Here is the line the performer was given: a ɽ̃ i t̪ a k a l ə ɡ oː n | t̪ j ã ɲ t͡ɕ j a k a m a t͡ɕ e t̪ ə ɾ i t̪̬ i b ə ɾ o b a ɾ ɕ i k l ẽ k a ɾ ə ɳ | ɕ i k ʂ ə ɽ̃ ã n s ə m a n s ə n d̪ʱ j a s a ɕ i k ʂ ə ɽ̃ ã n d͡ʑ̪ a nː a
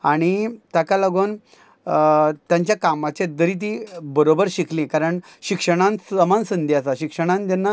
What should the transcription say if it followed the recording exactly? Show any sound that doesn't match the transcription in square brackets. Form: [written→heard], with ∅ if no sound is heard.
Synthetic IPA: a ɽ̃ i t̪ a k a l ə ɡ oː n | t̪ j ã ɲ t͡ɕ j a k a m a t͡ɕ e [t̪→d̪] ə ɾ i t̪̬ i b ə ɾ o b [a→ə] ɾ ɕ i k l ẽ k a ɾ ə ɳ | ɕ i k ʂ ə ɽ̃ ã n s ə m a n s ə n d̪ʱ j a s a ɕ i k ʂ ə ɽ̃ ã n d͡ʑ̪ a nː a